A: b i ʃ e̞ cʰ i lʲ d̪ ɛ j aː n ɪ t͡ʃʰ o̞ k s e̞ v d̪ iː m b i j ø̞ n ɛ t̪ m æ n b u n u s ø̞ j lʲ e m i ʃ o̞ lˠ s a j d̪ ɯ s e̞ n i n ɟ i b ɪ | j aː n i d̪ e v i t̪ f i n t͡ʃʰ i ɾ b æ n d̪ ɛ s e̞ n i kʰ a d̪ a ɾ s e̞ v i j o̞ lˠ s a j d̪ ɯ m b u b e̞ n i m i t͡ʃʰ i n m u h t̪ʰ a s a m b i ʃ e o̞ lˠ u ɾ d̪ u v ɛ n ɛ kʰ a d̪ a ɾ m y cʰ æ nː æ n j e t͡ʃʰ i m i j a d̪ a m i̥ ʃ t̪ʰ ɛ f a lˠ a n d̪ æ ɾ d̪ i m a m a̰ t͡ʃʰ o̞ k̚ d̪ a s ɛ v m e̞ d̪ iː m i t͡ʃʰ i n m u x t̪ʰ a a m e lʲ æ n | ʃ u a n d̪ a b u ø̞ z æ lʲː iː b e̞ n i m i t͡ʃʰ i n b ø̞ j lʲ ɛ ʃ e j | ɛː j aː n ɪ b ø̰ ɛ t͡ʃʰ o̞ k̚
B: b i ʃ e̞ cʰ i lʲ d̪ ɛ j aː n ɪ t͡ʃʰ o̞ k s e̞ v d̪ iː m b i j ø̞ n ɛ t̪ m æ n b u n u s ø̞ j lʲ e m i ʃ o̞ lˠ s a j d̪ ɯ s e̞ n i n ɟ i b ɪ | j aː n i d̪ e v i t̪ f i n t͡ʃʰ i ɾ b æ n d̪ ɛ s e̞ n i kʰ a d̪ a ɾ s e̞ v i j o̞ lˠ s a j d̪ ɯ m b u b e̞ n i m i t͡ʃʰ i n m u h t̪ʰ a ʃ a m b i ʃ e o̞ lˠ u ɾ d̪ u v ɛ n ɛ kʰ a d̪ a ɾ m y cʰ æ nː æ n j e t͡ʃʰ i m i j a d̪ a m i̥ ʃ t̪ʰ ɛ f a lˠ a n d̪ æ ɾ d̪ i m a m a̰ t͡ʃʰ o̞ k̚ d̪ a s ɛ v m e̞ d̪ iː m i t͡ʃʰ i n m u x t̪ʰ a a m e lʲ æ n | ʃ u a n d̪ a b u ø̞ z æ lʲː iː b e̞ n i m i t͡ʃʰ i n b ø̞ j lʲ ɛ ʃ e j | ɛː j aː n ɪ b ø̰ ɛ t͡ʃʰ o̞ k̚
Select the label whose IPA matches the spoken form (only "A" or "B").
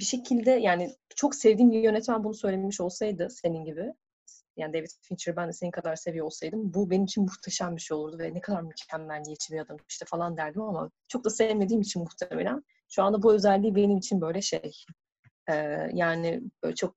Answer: B